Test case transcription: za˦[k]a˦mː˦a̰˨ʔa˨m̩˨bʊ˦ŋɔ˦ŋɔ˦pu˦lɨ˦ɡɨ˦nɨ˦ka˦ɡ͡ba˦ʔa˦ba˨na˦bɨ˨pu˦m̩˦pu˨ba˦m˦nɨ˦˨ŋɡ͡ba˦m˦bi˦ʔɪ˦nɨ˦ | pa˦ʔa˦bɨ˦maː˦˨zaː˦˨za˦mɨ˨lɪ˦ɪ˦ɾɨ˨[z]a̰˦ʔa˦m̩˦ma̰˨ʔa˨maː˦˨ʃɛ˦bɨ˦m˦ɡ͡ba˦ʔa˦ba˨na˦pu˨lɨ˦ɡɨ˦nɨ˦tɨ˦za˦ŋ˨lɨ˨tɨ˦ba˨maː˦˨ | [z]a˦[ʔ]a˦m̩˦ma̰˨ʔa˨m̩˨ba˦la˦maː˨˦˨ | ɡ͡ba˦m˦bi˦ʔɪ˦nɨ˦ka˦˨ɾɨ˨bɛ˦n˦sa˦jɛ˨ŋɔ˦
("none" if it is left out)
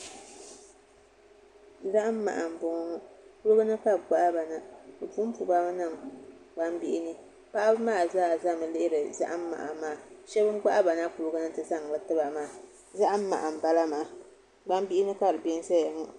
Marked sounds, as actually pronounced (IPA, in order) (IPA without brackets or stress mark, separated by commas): ʔ, z, z, ʔ